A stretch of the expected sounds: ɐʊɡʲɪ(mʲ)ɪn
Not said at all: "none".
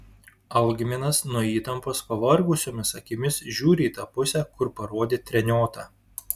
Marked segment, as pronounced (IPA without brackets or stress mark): mʲ